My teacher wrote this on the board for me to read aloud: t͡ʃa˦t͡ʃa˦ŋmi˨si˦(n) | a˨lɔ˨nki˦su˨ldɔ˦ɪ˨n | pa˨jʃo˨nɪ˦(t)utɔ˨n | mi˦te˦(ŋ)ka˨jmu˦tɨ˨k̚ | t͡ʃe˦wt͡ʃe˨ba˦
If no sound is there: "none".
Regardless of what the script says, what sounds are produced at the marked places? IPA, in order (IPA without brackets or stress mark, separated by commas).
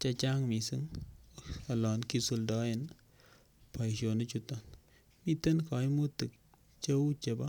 ŋ, t͡ʃ, n